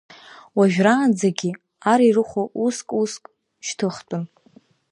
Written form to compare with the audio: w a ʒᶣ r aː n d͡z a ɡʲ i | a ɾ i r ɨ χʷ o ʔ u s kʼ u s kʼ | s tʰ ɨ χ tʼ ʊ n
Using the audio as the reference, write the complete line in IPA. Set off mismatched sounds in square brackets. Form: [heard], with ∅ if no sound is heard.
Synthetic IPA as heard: w a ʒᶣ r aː n d͡z a ɡʲ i | a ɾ i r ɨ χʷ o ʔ u s kʼ u s kʼ | [ʃ] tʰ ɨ χ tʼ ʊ n